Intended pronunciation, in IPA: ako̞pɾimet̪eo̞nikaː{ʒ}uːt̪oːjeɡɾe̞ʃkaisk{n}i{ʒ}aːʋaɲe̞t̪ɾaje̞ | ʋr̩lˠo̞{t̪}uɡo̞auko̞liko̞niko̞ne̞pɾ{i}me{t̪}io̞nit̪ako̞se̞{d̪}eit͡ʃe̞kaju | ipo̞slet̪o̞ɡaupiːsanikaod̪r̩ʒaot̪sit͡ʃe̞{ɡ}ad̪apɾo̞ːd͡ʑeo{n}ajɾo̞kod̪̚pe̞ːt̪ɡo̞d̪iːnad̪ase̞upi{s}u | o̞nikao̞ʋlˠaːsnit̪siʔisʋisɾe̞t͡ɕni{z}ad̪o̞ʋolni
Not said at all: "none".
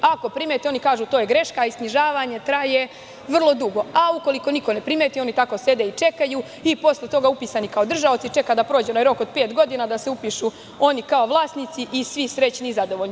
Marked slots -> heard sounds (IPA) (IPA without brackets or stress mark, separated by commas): ʒ, n, ʒ, d̪, i, t̪, d̪, k, n, ʃ, z